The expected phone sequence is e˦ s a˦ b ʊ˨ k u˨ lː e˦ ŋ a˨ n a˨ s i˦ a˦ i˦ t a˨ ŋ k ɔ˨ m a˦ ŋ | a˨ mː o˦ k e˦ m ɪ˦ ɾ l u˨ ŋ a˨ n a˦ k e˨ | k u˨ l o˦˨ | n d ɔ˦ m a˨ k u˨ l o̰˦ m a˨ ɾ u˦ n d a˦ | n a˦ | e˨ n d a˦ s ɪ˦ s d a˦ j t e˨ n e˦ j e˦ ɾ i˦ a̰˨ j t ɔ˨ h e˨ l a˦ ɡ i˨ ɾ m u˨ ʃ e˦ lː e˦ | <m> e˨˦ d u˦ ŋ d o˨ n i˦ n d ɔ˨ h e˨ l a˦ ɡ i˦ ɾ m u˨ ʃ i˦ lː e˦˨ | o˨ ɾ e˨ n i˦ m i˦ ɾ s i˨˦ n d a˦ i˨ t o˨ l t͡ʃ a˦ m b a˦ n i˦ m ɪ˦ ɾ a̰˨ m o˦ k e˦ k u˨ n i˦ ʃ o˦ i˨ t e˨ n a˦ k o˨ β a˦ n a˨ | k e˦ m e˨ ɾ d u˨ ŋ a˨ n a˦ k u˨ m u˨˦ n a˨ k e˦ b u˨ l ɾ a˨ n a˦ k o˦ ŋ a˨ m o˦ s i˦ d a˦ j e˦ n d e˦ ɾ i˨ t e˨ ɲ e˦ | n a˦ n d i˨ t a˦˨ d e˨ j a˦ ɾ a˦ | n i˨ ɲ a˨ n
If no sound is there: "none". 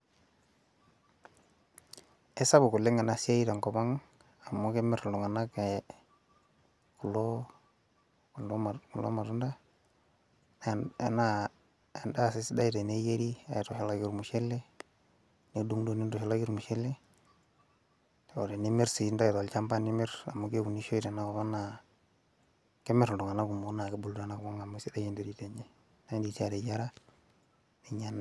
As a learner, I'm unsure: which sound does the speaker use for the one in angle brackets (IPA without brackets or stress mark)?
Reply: n